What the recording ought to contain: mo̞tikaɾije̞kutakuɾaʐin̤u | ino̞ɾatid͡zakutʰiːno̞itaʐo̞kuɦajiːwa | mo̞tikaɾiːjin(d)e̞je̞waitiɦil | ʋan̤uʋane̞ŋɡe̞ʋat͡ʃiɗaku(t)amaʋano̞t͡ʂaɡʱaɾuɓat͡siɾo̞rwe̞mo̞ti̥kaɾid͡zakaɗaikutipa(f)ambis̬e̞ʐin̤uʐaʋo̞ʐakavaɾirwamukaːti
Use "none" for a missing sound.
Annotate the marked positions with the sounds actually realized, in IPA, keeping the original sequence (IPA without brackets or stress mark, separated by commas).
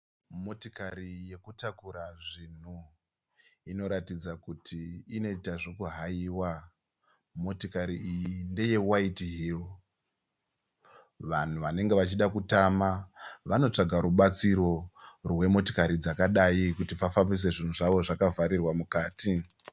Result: d, t, f